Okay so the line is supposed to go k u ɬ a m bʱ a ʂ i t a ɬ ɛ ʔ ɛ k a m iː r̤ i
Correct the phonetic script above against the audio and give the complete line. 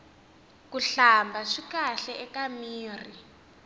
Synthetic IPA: k u ɬ a m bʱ a ʂ i k a ɬ ɛ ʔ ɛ k a m iː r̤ i